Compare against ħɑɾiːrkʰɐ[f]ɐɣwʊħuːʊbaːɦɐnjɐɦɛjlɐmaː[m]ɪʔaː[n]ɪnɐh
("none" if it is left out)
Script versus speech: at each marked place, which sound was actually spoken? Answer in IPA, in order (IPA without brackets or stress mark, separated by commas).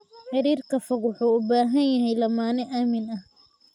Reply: f, n, m